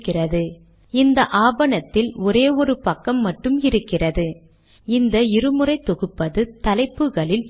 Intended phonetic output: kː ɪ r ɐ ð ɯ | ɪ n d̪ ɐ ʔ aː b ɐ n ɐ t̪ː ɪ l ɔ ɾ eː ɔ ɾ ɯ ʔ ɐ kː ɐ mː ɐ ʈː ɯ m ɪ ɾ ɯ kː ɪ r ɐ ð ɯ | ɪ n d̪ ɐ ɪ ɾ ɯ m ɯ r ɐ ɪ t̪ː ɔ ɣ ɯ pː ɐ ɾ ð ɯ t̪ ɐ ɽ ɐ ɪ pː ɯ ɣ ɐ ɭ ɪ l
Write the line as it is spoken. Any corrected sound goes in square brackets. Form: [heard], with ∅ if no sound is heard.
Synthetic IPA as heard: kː ɪ r ɐ ð ɯ | ɪ n d̪ ɐ ʔ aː b ɐ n ɐ t̪ː ɪ l ɔ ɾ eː ɔ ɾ ɯ [p] ɐ kː ɐ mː ɐ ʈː ɯ m ɪ ɾ ɯ kː ɪ r ɐ ð ɯ | ɪ n d̪ ɐ ɪ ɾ ɯ m ɯ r ɐ ɪ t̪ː ɔ ɣ ɯ pː ɐ [∅] ð ɯ t̪ ɐ [l] ɐ ɪ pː ɯ ɣ ɐ ɭ ɪ l